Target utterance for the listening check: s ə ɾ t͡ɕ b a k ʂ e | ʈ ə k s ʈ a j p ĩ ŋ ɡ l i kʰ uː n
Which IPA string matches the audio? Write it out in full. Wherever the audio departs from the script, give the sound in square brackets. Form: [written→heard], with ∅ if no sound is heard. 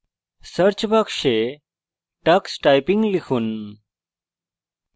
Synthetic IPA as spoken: s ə ɾ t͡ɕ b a k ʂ e | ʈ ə k s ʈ a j p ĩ ŋ ɡ l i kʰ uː n